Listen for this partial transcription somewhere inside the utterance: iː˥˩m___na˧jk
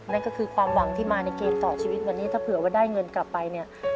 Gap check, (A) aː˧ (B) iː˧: A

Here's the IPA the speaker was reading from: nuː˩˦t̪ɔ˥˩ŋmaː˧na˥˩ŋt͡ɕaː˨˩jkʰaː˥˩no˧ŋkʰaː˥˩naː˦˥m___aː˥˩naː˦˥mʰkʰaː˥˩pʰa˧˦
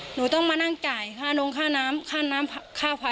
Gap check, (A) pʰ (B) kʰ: B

